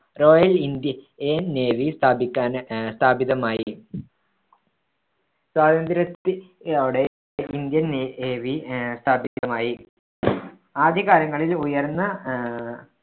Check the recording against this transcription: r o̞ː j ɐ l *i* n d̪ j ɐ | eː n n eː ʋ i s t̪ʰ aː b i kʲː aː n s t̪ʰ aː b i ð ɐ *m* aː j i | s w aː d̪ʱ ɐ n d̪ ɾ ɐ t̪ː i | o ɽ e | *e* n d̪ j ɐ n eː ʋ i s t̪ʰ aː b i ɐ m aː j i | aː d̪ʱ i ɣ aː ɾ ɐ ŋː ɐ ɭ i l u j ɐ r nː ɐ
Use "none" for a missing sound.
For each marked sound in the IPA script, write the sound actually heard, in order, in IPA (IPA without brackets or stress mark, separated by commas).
i, m, i